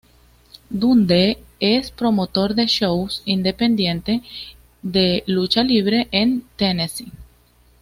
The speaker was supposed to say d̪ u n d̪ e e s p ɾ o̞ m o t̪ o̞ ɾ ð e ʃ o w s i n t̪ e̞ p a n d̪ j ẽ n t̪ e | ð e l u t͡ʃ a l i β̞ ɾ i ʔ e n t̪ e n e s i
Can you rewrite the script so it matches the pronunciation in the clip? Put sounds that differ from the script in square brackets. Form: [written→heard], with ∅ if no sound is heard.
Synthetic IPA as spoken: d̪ u n d̪ e e s p ɾ o̞ m o t̪ o̞ ɾ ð e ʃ o w s i n [t̪→d̪] e̞ p [a→e] n d̪ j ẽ n t̪ e | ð e l u t͡ʃ a l i β̞ ɾ [i→e] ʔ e n t̪ e n e s i